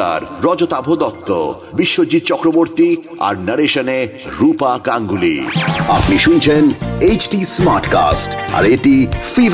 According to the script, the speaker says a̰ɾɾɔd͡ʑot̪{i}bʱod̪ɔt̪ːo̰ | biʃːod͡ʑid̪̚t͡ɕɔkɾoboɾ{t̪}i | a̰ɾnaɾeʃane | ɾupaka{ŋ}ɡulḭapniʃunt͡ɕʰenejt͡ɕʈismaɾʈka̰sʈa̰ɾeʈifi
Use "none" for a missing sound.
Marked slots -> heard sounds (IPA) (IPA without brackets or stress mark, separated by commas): a, t̪, ŋ